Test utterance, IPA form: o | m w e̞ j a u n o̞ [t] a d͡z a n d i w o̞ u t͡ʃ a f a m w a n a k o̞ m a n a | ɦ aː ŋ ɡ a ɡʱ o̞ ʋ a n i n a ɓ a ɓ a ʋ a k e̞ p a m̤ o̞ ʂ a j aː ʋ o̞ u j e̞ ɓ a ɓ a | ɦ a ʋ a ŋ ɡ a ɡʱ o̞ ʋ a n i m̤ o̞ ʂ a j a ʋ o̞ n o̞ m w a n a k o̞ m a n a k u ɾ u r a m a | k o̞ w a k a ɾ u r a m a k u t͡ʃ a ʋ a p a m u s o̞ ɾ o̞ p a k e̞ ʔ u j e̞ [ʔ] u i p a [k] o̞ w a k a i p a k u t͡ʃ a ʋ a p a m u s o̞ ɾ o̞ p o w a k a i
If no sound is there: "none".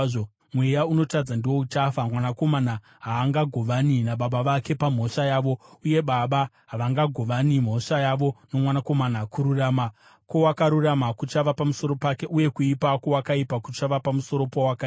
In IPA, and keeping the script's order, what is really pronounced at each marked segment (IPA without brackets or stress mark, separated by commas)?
t, k, k